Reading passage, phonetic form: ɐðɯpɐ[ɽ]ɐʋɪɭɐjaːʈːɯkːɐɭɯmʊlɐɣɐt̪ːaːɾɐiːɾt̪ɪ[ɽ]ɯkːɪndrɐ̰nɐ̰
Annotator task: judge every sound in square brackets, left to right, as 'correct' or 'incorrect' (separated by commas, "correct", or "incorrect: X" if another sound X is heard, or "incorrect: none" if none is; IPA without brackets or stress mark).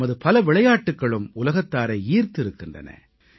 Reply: incorrect: l, incorrect: ɾ